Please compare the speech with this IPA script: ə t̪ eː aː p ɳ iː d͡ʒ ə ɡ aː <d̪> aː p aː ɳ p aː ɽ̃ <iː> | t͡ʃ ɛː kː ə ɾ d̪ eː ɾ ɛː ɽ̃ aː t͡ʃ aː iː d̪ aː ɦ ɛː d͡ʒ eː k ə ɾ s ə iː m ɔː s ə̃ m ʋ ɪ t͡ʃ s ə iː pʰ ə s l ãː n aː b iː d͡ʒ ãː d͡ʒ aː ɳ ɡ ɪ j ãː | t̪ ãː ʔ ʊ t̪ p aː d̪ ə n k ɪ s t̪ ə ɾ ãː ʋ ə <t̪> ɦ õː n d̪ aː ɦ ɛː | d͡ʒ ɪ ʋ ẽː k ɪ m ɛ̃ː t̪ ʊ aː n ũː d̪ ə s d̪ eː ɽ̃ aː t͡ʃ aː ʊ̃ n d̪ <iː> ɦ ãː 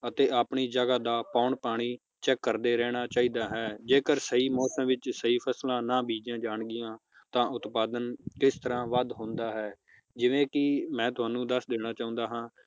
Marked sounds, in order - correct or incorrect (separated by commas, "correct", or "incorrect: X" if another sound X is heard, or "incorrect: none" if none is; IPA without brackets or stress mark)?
correct, correct, incorrect: d̪, incorrect: aː